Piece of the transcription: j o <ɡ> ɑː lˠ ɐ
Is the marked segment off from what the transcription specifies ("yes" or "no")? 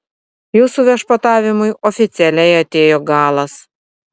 no